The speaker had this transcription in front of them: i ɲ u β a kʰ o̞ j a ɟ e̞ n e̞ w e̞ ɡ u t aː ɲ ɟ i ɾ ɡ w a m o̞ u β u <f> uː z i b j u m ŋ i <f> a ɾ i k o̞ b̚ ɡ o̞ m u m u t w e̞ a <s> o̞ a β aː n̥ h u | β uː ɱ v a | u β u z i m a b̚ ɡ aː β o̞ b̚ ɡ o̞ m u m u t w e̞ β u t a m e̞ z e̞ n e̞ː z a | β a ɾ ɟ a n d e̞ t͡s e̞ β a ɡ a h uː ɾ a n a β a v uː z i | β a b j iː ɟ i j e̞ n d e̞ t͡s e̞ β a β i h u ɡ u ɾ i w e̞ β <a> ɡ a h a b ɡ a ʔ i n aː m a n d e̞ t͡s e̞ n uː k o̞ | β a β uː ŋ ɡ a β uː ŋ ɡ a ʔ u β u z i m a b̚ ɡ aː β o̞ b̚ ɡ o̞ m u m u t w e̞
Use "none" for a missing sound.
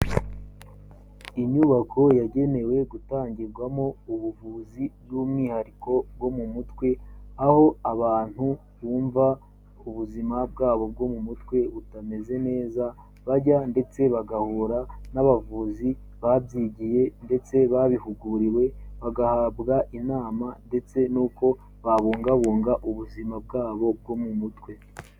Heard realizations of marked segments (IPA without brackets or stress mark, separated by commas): v, h, h, a